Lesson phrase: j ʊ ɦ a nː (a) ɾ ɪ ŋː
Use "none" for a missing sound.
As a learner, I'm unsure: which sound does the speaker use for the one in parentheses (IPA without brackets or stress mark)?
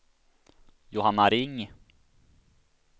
a